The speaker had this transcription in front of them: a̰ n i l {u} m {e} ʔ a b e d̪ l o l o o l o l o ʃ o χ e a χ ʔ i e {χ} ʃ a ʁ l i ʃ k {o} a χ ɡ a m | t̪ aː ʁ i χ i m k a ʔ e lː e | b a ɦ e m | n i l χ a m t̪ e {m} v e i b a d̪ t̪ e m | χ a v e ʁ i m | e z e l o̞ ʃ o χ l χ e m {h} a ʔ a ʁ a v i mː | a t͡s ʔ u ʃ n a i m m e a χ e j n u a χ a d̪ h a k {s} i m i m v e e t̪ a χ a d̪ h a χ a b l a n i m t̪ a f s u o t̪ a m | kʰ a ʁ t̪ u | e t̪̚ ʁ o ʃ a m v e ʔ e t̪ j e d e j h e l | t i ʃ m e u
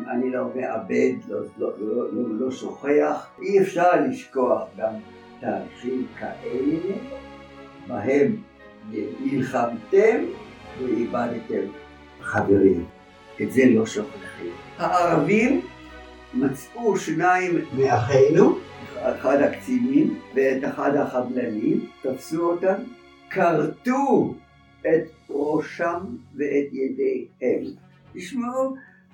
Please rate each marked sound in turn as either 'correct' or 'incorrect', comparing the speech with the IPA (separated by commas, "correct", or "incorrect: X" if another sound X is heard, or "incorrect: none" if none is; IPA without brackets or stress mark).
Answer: incorrect: o, correct, incorrect: f, correct, correct, correct, incorrect: t͡s